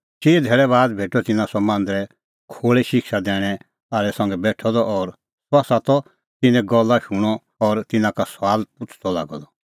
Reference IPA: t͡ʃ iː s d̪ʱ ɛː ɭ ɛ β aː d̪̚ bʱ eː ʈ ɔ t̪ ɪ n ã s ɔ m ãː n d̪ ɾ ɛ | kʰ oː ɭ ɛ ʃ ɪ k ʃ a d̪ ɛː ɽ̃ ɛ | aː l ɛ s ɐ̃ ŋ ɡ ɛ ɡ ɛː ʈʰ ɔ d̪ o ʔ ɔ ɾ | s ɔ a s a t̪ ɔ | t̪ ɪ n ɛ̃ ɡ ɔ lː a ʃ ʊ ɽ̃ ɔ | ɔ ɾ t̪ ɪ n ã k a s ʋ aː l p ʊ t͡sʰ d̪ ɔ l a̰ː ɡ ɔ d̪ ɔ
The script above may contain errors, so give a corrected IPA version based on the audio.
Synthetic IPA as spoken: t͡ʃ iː d̪ʱ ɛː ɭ ɛ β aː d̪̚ bʱ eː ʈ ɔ t̪ ɪ n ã s ɔ m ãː n d̪ ɾ ɛ | kʰ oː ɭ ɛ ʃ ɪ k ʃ a d̪ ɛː ɽ̃ ɛ | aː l ɛ s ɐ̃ ŋ ɡ ɛ b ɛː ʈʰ ɔ d̪ ɔ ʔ ɔ ɾ | s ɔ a s a t̪ ɔ | t̪ ɪ n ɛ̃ ɡ ɔ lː a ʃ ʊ ɽ̃ ɔ | ɔ ɾ t̪ ɪ n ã k a s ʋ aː l p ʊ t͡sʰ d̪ ɔ l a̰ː ɡ ɔ d̪ ɔ